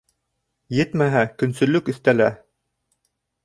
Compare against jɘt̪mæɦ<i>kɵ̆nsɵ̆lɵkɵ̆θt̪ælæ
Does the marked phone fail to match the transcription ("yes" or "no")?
yes